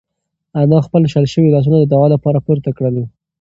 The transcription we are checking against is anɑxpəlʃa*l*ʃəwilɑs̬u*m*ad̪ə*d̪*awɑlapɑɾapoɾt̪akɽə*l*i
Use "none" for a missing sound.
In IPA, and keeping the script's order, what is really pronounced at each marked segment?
l, n, d̪, l

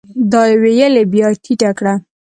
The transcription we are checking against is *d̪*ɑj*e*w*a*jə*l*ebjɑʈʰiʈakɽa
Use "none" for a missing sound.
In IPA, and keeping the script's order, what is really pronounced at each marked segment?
d̪, e, e, l

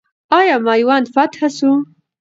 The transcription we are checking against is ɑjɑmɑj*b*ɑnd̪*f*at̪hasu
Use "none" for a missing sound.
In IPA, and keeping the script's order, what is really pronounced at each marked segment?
w, f

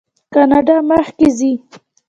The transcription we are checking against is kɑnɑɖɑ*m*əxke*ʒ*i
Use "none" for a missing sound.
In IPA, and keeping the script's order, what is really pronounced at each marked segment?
m, z

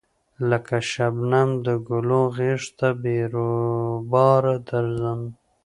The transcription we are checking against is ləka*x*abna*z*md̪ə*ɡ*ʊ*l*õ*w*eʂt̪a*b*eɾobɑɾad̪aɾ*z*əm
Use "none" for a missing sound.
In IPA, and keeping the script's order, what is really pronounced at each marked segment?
ʃ, none, ɡ, l, ɣ, b, z

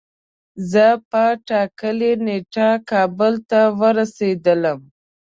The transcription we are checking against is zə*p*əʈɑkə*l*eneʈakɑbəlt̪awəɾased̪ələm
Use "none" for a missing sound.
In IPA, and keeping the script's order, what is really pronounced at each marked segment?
p, l

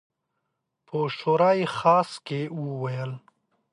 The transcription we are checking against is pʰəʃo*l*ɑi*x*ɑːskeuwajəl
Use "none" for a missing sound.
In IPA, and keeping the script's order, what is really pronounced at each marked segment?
ɾ, x

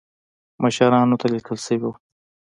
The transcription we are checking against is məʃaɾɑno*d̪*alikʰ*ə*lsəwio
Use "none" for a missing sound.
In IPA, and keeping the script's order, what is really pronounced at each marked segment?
t̪, ə

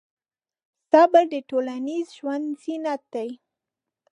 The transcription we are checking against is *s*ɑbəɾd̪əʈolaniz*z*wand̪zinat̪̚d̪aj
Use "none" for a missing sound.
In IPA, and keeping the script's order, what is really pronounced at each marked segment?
s, ʒ

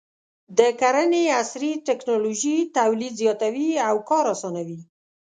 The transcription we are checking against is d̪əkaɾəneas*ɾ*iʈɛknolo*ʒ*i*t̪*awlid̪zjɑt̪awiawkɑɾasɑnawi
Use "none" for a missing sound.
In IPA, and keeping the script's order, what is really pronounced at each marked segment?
ɾ, ʒ, t̪

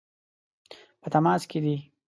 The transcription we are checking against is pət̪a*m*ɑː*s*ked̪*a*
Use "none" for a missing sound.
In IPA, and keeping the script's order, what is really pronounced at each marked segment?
m, s, i

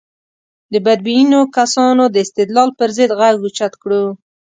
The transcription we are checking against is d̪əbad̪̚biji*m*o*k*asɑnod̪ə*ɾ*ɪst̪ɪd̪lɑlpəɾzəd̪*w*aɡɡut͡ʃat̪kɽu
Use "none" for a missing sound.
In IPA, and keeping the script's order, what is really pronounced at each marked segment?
n, k, none, ɣ

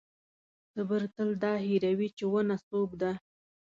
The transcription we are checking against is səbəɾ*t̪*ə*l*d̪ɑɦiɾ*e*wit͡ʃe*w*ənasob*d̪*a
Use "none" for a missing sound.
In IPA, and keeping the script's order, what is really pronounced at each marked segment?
t̪, l, a, w, d̪

